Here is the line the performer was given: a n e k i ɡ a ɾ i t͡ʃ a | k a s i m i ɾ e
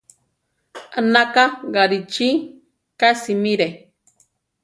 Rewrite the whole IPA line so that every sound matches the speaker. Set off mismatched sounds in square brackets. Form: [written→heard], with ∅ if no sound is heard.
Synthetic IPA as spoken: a n [e→a] k [i→a] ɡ a ɾ i t͡ʃ [a→i] | k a s i m i ɾ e

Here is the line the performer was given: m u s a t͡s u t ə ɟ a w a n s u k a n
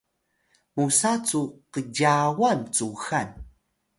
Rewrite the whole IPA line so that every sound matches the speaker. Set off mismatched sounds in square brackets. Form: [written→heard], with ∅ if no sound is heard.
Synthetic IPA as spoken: m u s a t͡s u [t→q] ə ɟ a w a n [s→t͡s] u [k→x] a n

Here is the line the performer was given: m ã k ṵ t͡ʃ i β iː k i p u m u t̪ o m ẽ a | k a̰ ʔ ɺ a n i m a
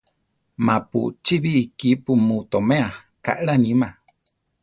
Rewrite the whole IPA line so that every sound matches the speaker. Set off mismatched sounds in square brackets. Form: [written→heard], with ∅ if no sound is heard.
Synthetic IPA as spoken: m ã [k→p] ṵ t͡ʃ i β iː k i p u m u t̪ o m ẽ a | k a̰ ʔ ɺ a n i m a

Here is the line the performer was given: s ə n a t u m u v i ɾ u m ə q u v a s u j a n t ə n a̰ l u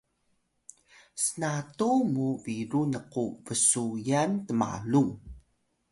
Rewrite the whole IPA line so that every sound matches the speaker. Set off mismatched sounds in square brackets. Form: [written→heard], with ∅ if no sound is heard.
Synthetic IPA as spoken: s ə n a t u m u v i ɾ u [m→n] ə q u v [a→ə] s u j a n t ə [n→m] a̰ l u

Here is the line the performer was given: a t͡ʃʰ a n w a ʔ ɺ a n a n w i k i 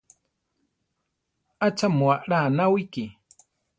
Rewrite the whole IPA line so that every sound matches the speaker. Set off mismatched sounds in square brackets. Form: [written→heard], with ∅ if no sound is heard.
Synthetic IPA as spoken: a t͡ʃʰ a [n→m] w a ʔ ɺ a n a [n→∅] w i k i

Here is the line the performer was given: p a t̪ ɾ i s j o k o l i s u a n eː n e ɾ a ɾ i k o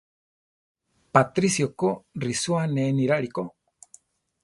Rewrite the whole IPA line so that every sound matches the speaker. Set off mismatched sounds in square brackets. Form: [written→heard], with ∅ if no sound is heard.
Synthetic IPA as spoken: p a t̪ ɾ i s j o k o [l→r] i s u a n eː n [e→i] ɾ a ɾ i k o

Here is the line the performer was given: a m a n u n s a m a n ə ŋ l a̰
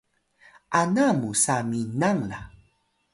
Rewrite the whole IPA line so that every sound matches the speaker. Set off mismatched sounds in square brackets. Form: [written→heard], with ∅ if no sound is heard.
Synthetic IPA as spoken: a [m→n] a [n→m] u [n→∅] s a m [a→i] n [ə→a] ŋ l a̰

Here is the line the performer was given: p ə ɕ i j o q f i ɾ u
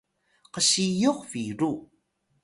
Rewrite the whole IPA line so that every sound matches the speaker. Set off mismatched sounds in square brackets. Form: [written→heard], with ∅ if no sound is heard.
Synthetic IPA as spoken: [p→q] ə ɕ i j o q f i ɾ u

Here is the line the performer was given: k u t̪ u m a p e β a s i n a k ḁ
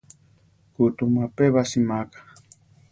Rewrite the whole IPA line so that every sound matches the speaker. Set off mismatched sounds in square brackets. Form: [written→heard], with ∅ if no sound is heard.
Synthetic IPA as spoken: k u t̪ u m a p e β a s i [n→m] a k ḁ

